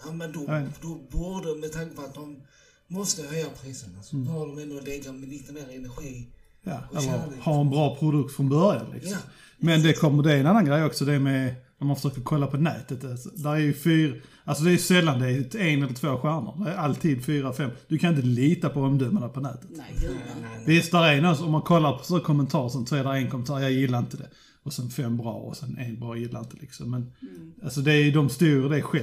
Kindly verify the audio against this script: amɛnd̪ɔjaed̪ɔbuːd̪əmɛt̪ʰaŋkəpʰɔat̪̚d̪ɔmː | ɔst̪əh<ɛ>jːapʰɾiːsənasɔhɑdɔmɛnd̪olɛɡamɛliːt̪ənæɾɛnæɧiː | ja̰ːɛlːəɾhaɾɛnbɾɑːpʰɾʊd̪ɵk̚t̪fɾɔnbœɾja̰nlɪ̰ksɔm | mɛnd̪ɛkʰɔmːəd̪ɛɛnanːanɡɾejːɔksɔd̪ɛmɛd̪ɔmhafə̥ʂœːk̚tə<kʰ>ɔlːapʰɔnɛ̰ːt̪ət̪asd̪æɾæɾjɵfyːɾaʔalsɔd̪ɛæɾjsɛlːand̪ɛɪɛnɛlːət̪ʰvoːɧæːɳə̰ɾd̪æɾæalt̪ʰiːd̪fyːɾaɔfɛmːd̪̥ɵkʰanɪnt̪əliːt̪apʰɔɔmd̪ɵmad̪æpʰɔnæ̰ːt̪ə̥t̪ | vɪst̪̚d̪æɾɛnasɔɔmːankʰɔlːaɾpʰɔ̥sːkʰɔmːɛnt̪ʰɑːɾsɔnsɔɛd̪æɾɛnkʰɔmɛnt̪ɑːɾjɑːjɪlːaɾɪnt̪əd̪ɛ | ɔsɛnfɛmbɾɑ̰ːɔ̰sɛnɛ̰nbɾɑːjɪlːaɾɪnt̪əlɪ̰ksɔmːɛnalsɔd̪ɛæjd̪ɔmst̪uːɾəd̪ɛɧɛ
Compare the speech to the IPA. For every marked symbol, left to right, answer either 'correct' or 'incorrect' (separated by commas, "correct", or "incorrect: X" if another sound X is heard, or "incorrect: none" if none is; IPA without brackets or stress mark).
incorrect: œ, correct